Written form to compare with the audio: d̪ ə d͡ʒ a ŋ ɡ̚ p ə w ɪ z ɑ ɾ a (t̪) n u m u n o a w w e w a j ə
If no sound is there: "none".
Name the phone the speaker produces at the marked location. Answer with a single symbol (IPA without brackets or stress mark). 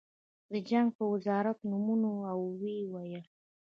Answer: t̪